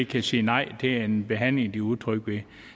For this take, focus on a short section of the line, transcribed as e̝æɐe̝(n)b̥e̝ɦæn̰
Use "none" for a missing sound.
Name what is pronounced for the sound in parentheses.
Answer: n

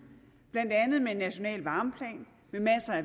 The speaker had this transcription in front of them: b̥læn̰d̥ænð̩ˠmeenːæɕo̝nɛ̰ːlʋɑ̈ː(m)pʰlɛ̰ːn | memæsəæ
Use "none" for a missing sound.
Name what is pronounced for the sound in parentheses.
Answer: m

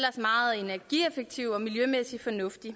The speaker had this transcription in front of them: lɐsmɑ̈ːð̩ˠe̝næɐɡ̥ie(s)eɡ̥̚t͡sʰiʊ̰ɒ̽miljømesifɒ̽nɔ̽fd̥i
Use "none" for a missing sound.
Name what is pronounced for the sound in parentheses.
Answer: f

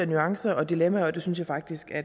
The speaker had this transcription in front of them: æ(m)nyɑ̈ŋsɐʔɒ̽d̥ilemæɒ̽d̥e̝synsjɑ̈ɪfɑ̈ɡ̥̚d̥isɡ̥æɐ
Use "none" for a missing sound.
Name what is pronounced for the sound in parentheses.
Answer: none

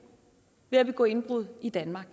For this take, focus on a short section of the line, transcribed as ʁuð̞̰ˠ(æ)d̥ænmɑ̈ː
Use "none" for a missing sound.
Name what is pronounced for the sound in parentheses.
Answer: i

